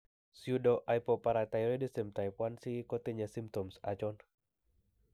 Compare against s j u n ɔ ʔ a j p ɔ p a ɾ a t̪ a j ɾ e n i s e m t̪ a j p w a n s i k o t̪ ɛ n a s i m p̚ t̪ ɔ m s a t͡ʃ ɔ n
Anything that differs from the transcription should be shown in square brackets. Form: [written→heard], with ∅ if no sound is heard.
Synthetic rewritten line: s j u [n→d] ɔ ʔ a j p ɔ p a ɾ a t̪ a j ɾ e [n→d] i s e m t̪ a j p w a n s i k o t̪ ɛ [n→ɲ] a s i m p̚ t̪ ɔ m s a t͡ʃ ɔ n